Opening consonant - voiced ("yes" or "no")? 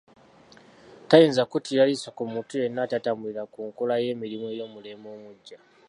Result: no